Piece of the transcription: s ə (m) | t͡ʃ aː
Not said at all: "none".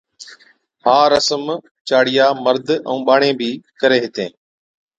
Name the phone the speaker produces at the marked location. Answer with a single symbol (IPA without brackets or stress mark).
m